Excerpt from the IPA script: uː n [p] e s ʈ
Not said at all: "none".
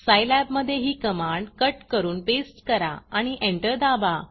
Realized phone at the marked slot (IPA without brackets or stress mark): p